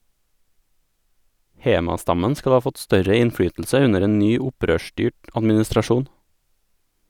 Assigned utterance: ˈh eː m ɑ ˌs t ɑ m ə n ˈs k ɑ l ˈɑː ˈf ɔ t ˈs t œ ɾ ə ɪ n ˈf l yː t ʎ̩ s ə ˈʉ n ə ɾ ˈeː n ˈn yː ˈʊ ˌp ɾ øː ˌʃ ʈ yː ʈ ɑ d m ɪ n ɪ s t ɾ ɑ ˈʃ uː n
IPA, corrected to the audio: ˈh eː m ɑ ˌs t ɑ m ə n ˈs k ɑ l ˈɑː ˈf ɔ t ˈs t œ ɾ ə ɪ n ˈf ɽ yː t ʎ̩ s ə ˈʉ n ə ɾ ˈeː n ˈn yː ˈʊ ˌp ɾ øː ˌʃ ʈ yː ʈ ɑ d m ɪ n ɪ s t ɾ ɑ ˈʃ uː n